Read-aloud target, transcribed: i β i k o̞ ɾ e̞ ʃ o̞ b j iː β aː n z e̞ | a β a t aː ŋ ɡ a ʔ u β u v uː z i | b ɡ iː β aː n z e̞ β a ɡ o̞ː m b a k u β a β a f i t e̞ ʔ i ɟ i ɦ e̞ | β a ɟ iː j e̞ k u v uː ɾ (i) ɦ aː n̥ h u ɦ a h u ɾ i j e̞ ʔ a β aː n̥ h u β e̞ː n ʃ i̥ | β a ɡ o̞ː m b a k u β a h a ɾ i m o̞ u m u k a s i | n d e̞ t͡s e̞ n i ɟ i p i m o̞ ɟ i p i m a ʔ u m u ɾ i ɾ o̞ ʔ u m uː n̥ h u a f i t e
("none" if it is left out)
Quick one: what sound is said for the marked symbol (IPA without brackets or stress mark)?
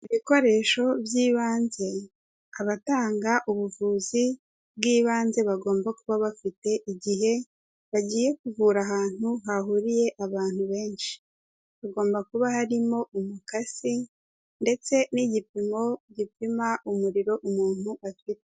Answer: a